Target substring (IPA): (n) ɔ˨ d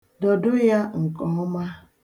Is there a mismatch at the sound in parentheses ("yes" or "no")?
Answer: yes